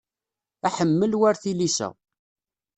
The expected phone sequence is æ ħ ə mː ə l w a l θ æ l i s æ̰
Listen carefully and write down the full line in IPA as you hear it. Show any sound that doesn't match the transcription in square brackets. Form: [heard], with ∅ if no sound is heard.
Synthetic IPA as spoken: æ ħ ə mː ə l w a [ɾ] θ [i] l i s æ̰